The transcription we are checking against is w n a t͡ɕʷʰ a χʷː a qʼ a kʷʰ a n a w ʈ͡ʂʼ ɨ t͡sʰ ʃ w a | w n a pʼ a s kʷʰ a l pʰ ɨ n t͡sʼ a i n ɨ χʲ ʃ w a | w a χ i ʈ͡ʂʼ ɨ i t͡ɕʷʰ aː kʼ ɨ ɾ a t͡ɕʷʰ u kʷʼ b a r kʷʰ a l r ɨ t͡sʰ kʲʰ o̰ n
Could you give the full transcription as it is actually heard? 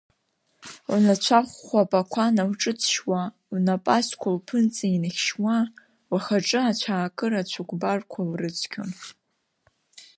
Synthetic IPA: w n a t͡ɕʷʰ a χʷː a pʼ a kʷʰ a n a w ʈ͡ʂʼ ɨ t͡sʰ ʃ w a | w n a pʼ a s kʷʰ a l pʰ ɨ n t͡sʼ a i n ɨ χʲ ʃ w a | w a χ a ʈ͡ʂʼ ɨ a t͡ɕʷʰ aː kʼ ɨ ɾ a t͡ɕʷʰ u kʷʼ b a r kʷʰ a l r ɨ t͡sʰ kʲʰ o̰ n